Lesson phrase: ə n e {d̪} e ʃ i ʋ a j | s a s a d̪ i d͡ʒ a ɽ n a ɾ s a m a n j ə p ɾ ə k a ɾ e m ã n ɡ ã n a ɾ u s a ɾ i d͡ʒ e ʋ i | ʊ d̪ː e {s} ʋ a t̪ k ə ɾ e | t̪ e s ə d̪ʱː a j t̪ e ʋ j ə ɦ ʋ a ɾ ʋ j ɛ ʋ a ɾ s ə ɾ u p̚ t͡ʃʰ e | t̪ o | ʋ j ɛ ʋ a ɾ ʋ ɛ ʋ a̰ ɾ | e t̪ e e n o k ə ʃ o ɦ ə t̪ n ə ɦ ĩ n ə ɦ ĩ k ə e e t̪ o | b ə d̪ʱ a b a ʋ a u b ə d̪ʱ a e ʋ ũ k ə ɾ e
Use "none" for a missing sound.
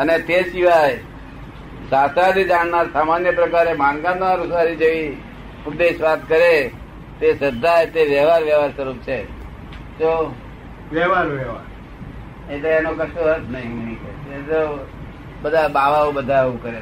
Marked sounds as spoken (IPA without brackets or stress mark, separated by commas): t̪, ʃ